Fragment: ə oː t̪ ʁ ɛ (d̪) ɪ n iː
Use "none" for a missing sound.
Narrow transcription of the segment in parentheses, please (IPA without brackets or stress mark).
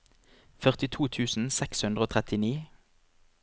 t̪